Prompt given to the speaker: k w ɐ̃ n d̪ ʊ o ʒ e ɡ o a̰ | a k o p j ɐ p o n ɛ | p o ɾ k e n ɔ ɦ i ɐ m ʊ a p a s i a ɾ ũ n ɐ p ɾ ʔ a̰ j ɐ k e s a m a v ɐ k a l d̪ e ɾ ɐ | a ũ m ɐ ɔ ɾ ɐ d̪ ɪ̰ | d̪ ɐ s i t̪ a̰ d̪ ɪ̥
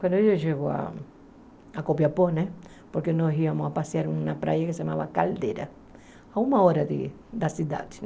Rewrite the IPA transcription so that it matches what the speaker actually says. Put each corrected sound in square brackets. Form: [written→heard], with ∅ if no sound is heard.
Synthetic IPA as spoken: k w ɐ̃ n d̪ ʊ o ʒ e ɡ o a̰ | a k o p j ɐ p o n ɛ | p o ɾ k e n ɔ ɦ i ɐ m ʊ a p a s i a ɾ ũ n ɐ p ɾ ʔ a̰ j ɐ k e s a m a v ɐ k a l d̪ e ɾ ɐ | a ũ m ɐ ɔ ɾ ɐ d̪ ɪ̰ | d̪ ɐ s i [t̪→d̪] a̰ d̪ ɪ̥

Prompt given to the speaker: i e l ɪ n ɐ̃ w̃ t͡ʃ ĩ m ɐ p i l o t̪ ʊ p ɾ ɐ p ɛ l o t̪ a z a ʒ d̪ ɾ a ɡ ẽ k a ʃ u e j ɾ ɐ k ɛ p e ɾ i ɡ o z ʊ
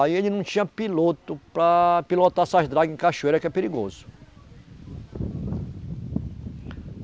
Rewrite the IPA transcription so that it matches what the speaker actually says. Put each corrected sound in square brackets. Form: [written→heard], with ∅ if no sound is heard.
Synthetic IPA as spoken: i e l ɪ n ɐ̃ w̃ t͡ʃ ĩ [m→ɲ] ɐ p i l o t̪ ʊ p ɾ ɐ p [ɛ→i] l o t̪ a [z→s] a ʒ d̪ ɾ a ɡ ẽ k a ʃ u e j ɾ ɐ k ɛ p e ɾ i ɡ o z ʊ

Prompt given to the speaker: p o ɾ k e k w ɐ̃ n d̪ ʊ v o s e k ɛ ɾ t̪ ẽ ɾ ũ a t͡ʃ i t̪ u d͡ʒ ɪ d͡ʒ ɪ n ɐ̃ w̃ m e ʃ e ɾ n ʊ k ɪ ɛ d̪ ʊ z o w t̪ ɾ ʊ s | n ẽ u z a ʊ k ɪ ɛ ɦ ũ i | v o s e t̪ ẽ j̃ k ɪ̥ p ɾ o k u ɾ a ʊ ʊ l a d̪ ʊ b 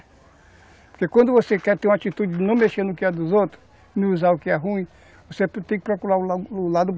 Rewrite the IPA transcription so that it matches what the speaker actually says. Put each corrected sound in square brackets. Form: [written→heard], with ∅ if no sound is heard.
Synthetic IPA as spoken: p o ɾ k e k w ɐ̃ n d̪ ʊ v o s e k ɛ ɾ t̪ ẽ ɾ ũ a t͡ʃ i t̪ u d͡ʒ ɪ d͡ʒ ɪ n ɐ̃ w̃ m e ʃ e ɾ n ʊ k ɪ ɛ d̪ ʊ z o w t̪ ɾ ʊ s | n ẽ u z a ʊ k ɪ ɛ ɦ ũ [i→ĩ] | v o s e t̪ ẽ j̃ k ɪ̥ p ɾ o k u ɾ a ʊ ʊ l a d̪ ʊ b

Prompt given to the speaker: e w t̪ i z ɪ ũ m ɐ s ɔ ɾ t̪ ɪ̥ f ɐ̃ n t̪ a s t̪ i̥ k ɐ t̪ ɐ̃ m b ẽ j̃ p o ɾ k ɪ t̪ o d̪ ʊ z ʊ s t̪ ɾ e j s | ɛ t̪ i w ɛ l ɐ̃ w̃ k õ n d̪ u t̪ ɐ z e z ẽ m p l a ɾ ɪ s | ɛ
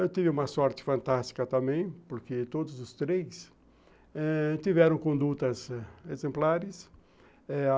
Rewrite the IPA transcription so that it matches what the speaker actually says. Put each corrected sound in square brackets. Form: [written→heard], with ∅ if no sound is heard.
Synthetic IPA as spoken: e w t̪ i [z→v] ɪ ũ m ɐ s ɔ ɾ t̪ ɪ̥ f ɐ̃ n t̪ a s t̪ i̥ k ɐ t̪ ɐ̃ m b ẽ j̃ p o ɾ k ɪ t̪ o d̪ ʊ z ʊ s t̪ ɾ e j s | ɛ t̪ i [w→v] ɛ [l→ɾ] ɐ̃ w̃ k õ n d̪ u t̪ ɐ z e z ẽ m p l a ɾ ɪ s | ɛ

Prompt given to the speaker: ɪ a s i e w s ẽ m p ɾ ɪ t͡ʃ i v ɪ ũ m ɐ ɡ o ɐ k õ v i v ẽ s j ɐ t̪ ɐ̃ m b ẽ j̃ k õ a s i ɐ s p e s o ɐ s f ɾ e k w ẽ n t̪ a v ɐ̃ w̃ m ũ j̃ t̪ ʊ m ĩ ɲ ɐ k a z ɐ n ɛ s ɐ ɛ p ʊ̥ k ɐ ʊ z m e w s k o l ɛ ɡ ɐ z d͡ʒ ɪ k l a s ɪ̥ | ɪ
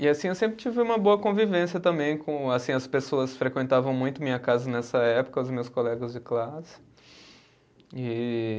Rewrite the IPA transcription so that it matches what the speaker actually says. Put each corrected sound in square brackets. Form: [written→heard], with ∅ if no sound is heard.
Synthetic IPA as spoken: ɪ a s [i→ĩ] e w s ẽ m p ɾ ɪ t͡ʃ i v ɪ ũ m ɐ [ɡ→b] o ɐ k õ v i v ẽ s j ɐ t̪ ɐ̃ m b ẽ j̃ k õ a s [i→ĩ] ɐ s p e s o ɐ s f ɾ e k w ẽ n t̪ a v ɐ̃ w̃ m ũ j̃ t̪ ʊ m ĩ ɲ ɐ k a z ɐ n ɛ s ɐ ɛ p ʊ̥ k ɐ ʊ z m e w s k o l ɛ ɡ ɐ z d͡ʒ ɪ k l a s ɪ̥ | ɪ

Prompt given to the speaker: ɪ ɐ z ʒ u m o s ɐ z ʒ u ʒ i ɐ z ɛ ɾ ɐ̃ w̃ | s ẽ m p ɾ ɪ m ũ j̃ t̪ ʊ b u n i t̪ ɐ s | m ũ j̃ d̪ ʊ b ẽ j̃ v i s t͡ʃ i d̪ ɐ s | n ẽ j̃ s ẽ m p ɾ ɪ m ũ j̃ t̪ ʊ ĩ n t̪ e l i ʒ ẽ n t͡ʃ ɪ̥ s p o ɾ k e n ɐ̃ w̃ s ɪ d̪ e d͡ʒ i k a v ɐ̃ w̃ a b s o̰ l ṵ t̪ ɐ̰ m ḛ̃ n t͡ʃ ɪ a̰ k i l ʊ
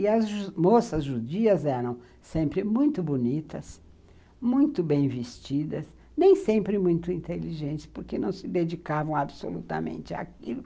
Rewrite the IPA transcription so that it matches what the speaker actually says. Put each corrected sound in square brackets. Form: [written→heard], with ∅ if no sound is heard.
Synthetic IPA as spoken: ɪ ɐ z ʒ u m o s ɐ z ʒ u [ʒ→d͡ʒ] i ɐ z ɛ ɾ ɐ̃ w̃ | s ẽ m p ɾ ɪ m ũ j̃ t̪ ʊ b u n i t̪ ɐ s | m ũ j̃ [d̪→t̪] ʊ b ẽ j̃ v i s t͡ʃ i d̪ ɐ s | n ẽ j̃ s ẽ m p ɾ ɪ m ũ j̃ t̪ ʊ ĩ n t̪ e l i ʒ ẽ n t͡ʃ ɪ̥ s p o ɾ k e n ɐ̃ w̃ s ɪ d̪ e d͡ʒ i k a v ɐ̃ w̃ a b s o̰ l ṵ t̪ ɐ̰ m ḛ̃ n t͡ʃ ɪ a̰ k i l ʊ

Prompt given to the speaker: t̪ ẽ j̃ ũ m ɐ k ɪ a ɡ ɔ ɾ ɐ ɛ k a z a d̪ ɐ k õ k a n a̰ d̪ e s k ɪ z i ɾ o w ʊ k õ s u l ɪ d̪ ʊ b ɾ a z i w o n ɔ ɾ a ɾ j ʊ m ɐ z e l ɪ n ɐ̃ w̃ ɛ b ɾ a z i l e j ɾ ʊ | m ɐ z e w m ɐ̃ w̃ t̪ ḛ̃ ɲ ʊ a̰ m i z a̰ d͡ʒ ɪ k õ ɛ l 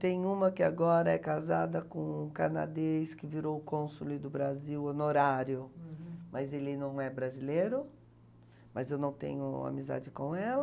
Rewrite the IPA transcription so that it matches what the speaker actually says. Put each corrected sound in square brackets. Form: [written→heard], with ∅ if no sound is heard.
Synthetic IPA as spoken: t̪ ẽ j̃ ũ m ɐ k ɪ a ɡ ɔ ɾ ɐ ɛ k a z a d̪ ɐ k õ k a n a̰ d̪ e s k ɪ [z→v] i ɾ o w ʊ k õ s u l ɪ d̪ ʊ b ɾ a z i w o n [ɔ→o] ɾ a ɾ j ʊ m ɐ z e l ɪ n ɐ̃ w̃ ɛ b ɾ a z i l e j ɾ ʊ | m ɐ z e w [m→n] ɐ̃ w̃ t̪ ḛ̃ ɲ ʊ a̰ m i z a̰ d͡ʒ ɪ k õ ɛ l

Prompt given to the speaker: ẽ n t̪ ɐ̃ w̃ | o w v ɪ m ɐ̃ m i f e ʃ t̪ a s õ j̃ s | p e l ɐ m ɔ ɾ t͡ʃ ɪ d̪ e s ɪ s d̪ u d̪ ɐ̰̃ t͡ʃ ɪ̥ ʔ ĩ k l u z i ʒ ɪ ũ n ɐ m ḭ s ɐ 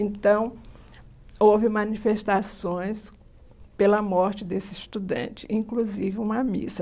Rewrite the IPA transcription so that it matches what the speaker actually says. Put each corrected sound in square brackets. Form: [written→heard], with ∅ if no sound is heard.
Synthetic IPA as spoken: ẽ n t̪ ɐ̃ w̃ | o w v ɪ m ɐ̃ [m→n] i f e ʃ t̪ a s õ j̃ s | p e l ɐ m ɔ ɾ t͡ʃ ɪ d̪ e s ɪ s [d̪→t̪] u d̪ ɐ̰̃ t͡ʃ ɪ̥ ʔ ĩ k l u z i [ʒ→v] ɪ ũ [n→m] ɐ m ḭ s ɐ

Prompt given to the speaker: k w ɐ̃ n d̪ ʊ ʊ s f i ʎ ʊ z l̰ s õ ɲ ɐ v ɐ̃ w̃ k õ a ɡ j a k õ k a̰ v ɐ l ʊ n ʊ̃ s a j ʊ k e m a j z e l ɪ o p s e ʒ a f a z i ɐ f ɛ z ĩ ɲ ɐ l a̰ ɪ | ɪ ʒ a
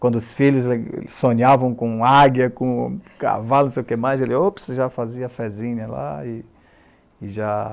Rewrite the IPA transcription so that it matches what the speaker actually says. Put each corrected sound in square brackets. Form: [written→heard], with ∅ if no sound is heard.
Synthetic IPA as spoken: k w ɐ̃ n d̪ ʊ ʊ s f i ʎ ʊ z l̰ s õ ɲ [ɐ→a] v ɐ̃ w̃ k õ a ɡ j [a→ɐ] k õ k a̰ v [ɐ→a] l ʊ n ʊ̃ s [a→e] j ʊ k e m a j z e l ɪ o p s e ʒ a f a z i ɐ f ɛ z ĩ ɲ ɐ l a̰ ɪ | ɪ ʒ a

